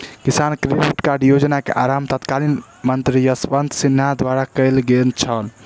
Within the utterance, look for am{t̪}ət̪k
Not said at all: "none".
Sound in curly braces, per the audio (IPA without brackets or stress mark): t̪